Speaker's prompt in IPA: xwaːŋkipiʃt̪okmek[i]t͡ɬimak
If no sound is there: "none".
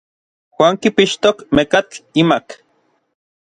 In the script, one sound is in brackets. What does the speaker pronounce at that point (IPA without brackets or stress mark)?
a